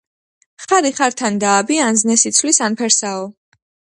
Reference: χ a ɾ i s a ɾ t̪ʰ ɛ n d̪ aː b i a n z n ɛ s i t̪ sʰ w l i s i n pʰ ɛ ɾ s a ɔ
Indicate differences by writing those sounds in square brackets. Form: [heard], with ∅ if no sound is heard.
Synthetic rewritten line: χ a ɾ i [χ] a ɾ t̪ʰ [a] n d̪ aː b i a n z n ɛ s i t̪ sʰ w l i s [a] n pʰ ɛ ɾ s a ɔ